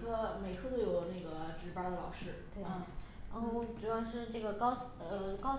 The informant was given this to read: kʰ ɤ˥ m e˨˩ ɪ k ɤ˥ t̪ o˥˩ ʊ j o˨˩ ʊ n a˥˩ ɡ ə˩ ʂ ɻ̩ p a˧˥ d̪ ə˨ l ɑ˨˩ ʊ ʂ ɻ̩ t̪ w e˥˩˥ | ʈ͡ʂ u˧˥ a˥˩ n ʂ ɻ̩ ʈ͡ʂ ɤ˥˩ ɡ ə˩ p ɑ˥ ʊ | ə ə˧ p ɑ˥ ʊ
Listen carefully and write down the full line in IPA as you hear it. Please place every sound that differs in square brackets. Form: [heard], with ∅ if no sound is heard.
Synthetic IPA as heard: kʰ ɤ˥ m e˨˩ ɪ [kʰ] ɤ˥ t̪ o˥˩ ʊ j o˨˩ ʊ n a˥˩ ɡ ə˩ [ʈ͡ʂ] ɻ̩ p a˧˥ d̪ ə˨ l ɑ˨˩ ʊ ʂ ɻ̩ t̪ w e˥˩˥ | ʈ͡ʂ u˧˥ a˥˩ n ʂ ɻ̩ ʈ͡ʂ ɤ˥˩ ɡ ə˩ [k] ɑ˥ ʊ | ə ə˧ [k] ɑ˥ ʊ